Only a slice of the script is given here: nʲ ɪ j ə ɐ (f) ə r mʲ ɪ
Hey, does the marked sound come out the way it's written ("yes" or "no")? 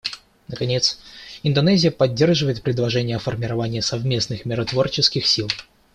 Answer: yes